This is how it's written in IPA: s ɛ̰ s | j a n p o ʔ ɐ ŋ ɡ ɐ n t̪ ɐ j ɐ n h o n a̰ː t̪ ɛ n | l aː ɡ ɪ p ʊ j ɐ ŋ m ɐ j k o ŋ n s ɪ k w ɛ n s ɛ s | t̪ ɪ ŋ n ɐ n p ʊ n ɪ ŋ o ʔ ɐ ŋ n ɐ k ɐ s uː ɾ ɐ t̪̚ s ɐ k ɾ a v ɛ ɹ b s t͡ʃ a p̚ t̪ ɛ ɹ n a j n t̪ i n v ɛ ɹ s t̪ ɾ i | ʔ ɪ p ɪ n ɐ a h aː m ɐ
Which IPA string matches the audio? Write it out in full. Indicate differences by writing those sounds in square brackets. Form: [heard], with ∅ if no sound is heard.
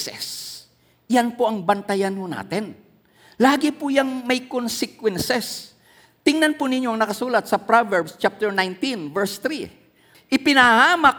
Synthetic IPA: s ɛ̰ s | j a n p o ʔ ɐ ŋ [b] ɐ n t̪ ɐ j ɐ n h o n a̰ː t̪ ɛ n | l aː ɡ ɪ p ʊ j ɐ ŋ m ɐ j k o [∅] n s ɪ k w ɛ n s ɛ s | t̪ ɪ ŋ n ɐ n p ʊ n ɪ [ɲ] o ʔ ɐ ŋ n ɐ k ɐ s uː [l] ɐ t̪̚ s ɐ [p] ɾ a v ɛ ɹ b s t͡ʃ a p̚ t̪ ɛ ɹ n a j n t̪ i n v ɛ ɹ s t̪ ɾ i | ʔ ɪ p ɪ n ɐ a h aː m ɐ